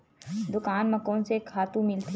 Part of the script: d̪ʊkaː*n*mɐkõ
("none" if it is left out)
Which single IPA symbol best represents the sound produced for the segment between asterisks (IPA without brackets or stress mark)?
n